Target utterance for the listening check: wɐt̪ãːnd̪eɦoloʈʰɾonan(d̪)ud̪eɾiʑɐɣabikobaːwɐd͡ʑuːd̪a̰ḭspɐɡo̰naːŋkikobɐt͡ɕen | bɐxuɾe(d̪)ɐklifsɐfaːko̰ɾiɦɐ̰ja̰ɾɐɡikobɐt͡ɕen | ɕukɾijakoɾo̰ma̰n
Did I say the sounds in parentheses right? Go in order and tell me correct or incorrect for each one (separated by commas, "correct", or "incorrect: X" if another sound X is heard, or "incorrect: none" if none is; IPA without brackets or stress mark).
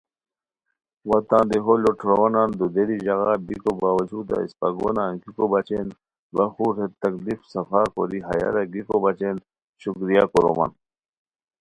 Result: correct, incorrect: t̪